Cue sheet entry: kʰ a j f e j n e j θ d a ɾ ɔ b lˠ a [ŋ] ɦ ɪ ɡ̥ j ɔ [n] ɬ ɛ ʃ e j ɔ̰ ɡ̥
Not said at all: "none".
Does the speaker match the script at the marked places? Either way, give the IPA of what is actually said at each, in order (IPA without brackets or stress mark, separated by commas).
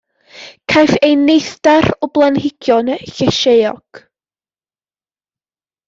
n, n